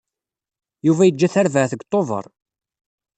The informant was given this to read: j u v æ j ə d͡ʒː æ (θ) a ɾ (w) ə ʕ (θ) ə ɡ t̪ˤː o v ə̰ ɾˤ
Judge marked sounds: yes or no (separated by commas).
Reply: yes, no, yes